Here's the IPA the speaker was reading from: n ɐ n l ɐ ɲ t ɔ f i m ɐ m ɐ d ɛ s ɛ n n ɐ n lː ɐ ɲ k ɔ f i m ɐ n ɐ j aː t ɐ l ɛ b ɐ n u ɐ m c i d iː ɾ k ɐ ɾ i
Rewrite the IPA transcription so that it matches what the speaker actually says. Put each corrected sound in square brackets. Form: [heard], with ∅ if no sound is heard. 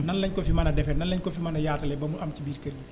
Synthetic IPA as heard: n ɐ n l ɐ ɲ [k] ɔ f i m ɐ [n] ɐ d ɛ [f] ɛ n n ɐ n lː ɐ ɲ k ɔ f i m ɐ n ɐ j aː t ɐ l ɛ b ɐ [m] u ɐ m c i [b] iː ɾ k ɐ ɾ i